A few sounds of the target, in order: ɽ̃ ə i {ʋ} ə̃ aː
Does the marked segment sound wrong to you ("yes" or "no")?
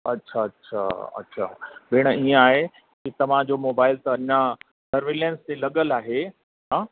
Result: yes